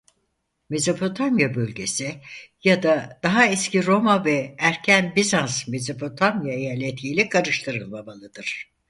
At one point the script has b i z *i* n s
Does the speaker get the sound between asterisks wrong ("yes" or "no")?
yes